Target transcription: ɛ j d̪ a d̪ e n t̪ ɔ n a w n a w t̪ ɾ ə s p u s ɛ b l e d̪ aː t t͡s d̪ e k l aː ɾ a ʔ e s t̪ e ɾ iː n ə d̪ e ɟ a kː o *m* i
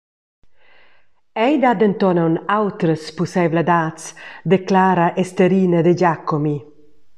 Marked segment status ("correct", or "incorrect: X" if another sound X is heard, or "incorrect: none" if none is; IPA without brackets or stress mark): correct